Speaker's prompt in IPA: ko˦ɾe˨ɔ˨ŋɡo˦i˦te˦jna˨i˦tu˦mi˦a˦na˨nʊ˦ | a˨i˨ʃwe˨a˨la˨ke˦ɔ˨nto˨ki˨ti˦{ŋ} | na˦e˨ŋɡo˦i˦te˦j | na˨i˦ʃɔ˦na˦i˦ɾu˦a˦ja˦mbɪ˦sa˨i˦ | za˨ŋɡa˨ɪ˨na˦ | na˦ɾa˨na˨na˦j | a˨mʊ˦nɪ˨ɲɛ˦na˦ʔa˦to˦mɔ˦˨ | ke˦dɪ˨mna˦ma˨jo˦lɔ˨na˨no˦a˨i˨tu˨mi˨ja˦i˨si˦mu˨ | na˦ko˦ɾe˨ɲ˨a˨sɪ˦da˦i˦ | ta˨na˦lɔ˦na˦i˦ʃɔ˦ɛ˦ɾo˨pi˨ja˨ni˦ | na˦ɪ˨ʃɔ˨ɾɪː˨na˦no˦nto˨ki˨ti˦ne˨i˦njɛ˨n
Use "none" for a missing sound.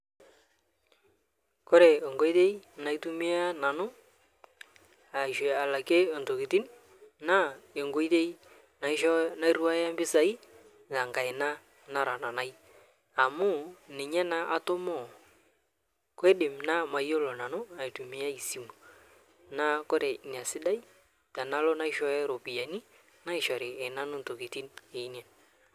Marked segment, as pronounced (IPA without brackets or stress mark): n